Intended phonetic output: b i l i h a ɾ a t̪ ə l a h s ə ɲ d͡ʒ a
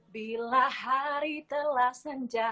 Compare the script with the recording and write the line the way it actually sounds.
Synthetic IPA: b i l a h a ɾ i t̪ ə l a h s ə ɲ d͡ʒ a